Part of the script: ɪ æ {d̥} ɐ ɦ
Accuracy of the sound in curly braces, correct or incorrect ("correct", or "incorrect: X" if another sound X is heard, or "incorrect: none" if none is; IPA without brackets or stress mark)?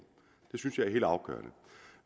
incorrect: none